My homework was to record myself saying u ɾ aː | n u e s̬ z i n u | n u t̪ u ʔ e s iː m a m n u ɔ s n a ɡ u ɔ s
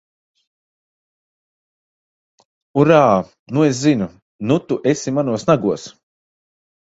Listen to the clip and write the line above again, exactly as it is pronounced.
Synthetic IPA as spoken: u ɾ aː | n u e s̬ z i n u | n u t̪ u ʔ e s i m a n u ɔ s n a ɡ u ɔ s